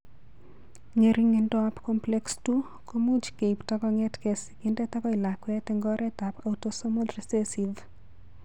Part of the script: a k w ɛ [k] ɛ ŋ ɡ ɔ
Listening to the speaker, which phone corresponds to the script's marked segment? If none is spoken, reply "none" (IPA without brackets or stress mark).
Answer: t